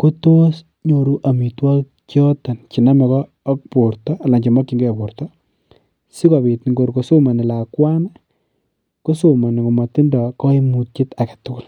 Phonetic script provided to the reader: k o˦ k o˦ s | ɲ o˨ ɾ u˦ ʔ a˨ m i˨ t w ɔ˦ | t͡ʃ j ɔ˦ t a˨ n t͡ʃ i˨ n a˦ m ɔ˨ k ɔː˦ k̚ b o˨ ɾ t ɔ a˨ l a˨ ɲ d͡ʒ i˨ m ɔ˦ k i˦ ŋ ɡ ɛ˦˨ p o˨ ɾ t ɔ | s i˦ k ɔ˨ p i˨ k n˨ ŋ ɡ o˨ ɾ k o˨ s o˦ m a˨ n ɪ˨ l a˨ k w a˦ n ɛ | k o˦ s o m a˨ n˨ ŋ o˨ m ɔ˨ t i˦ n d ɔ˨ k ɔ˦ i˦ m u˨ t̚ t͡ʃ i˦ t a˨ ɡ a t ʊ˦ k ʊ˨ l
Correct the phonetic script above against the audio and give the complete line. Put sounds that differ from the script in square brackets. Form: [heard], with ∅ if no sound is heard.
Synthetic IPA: k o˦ [t] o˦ s | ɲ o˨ ɾ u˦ ʔ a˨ m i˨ t w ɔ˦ | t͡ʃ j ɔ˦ t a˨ n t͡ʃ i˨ n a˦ m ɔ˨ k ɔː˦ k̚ [p] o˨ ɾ t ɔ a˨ l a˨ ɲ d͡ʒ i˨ m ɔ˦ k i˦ ŋ ɡ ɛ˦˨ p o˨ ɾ t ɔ | s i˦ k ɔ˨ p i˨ [t] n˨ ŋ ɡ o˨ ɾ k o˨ s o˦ m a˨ n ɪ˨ l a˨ k w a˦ n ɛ | k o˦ s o m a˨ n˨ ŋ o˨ m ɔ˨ t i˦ n d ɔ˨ k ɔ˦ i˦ m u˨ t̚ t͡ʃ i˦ t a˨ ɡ a t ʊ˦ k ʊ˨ l